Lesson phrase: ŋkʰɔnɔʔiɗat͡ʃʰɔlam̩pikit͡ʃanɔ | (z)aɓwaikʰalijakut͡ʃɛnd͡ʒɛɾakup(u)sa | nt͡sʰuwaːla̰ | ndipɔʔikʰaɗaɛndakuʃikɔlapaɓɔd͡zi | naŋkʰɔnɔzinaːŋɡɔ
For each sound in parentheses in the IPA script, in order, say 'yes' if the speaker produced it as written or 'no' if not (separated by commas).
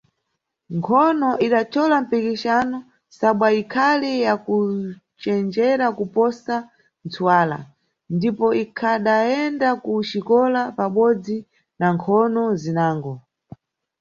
no, no